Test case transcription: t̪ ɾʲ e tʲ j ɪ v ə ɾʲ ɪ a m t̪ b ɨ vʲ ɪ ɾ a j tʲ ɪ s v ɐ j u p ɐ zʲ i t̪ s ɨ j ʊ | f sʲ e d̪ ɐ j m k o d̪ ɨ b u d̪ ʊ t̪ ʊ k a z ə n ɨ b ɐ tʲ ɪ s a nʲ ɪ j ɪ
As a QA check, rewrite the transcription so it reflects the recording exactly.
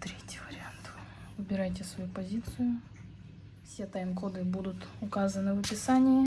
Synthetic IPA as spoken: t̪ ɾʲ e tʲ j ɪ v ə ɾʲ ɪ a n t̪ v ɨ bʲ ɪ ɾ a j tʲ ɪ s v ɐ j u p ɐ zʲ i t̪ s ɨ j ʊ | f sʲ e t̪ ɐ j m k o d̪ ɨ b u d̪ ʊ t̪ ʊ k a z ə n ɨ v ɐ pʲ ɪ s a nʲ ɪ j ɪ